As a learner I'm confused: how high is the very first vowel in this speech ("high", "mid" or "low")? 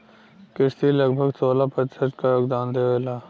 high